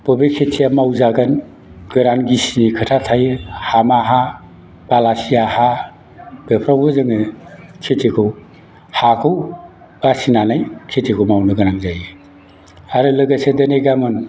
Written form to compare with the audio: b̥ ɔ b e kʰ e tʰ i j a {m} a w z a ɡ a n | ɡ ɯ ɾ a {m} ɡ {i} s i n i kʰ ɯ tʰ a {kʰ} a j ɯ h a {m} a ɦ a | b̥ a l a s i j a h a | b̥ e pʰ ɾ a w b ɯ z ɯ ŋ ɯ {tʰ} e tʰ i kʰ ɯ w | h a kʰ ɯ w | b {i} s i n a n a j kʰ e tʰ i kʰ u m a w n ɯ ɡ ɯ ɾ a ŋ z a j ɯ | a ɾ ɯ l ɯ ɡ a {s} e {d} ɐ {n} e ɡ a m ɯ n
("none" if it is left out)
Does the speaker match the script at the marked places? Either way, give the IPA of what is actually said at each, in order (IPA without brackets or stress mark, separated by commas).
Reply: m, n, i, tʰ, m, kʰ, a, s, d, n